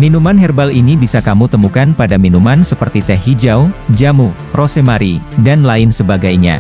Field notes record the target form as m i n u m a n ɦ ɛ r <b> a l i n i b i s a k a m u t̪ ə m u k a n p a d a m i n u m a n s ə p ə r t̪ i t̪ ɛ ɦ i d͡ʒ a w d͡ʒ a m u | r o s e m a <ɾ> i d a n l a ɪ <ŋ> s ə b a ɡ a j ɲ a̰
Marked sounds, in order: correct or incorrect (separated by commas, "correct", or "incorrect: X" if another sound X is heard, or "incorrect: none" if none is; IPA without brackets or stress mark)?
correct, correct, incorrect: n